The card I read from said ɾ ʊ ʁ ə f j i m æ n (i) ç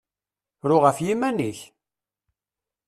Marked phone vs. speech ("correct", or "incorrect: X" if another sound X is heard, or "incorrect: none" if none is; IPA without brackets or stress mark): correct